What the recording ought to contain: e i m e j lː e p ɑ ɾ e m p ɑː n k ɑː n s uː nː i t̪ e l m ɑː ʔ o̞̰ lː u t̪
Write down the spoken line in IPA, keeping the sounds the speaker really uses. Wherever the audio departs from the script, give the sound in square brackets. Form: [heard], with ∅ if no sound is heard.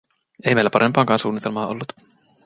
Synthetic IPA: e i m e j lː [æ] p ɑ ɾ e m p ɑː [ŋ] k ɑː n s uː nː i t̪ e l m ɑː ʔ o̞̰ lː u t̪